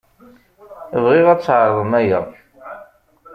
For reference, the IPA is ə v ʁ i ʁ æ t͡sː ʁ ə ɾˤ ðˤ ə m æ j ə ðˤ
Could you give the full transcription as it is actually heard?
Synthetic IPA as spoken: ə v ʁ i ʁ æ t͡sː ʕ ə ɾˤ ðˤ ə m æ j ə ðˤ